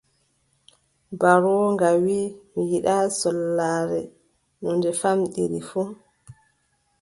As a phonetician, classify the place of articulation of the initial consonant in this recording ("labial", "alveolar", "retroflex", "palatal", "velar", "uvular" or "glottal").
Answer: labial